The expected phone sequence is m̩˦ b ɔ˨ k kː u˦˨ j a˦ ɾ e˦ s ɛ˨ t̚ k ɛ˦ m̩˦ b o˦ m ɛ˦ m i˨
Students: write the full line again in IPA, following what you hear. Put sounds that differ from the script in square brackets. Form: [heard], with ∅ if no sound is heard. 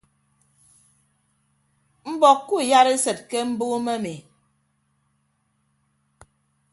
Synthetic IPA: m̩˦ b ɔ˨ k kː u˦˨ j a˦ ɾ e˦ s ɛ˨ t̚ k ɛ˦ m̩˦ b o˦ m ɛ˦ m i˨